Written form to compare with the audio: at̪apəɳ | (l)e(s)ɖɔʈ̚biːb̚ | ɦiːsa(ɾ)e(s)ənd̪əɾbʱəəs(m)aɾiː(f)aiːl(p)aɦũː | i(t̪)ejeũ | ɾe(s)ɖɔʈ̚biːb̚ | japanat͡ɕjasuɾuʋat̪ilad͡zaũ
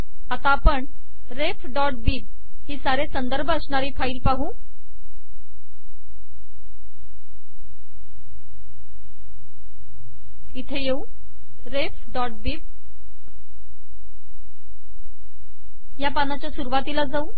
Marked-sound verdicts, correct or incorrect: incorrect, incorrect, correct, correct, incorrect, correct, correct, incorrect, incorrect

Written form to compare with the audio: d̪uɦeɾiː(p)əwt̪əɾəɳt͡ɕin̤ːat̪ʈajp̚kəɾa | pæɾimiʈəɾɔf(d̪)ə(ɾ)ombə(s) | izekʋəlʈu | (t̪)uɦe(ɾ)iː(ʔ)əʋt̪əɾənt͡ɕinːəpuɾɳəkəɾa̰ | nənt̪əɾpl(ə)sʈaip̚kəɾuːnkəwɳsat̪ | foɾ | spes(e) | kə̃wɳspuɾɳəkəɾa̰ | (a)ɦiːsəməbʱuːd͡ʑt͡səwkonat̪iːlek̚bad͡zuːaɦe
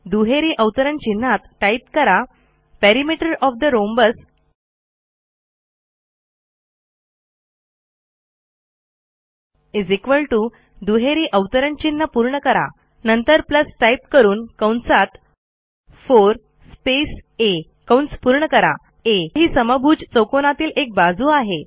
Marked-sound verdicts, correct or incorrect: incorrect, correct, correct, correct, incorrect, correct, correct, correct, correct, incorrect

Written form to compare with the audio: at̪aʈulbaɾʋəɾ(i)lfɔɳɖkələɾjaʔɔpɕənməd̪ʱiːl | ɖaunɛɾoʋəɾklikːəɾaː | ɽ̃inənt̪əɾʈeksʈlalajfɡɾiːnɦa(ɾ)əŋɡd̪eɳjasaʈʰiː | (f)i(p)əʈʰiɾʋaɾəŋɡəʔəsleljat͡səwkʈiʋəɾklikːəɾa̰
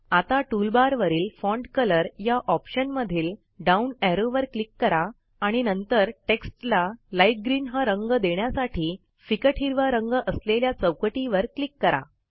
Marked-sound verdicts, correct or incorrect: incorrect, correct, correct, incorrect

